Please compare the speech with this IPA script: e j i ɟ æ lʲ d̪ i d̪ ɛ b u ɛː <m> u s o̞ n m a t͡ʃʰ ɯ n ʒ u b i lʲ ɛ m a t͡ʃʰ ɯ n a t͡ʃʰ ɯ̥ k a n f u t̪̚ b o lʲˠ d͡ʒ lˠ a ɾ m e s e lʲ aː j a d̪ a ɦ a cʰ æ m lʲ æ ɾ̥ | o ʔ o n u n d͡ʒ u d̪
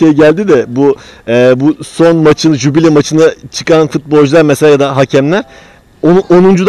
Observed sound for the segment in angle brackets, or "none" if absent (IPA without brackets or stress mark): b